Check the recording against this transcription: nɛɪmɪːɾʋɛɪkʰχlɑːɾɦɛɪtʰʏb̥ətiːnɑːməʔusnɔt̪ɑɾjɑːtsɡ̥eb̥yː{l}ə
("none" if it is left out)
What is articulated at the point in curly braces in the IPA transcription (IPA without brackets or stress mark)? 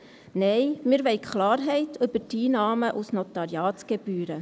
ɾ